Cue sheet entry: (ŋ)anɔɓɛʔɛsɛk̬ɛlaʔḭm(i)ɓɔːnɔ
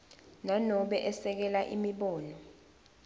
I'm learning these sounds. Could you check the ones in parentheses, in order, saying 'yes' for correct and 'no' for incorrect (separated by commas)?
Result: no, yes